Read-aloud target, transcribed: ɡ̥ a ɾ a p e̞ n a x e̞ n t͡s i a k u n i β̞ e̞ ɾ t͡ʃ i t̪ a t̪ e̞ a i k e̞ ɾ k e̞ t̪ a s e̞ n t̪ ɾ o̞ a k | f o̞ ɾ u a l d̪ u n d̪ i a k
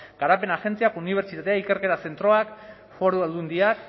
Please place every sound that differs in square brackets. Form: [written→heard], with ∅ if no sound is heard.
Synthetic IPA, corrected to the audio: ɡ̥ a ɾ a p e̞ n a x e̞ n t͡s i a k u n i β̞ e̞ ɾ t͡ʃ i t̪ a t̪ e̞ a i k e̞ ɾ k e̞ t̪ a s e̞ n t̪ ɾ o̞ a k | f o̞ ɾ u a l d̪ u n d̪ i a k